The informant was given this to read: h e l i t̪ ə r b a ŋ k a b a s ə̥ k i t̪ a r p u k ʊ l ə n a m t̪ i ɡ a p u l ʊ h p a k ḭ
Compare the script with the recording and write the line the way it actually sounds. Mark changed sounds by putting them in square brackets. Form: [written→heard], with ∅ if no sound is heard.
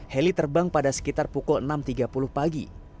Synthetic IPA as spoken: h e l i t̪ ə r b a ŋ [k→p] a [b→d] a s ə̥ k i t̪ a r p u k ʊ l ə n a m t̪ i ɡ a p u l ʊ h p a [k→ɡ] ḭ